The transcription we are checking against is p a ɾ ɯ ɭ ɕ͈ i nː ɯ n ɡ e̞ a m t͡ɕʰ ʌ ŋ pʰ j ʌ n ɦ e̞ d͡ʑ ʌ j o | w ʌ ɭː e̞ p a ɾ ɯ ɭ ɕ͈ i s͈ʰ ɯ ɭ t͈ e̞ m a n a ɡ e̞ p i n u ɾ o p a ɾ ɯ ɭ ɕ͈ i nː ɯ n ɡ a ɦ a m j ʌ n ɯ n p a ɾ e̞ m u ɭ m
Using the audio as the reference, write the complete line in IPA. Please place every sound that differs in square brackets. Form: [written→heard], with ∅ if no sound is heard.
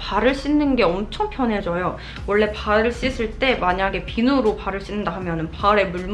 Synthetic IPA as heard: p a ɾ ɯ ɭ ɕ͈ i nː ɯ n ɡ e̞ [a→ʌ] m t͡ɕʰ ʌ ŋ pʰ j ʌ n ɦ e̞ d͡ʑ ʌ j o | w ʌ ɭː e̞ p a ɾ ɯ ɭ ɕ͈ i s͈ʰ ɯ ɭ t͈ e̞ m a [n→ɲ] a ɡ e̞ p i n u ɾ o p a ɾ ɯ ɭ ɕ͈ i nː ɯ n [ɡ→d] a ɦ a m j ʌ n ɯ n p a ɾ e̞ m u ɭ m